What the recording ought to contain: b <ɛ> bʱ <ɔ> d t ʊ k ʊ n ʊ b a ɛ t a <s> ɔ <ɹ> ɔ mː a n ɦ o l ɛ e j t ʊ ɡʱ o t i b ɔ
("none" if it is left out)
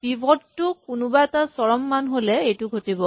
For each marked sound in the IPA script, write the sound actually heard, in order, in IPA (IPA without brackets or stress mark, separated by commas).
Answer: i, ɔ, s, ɹ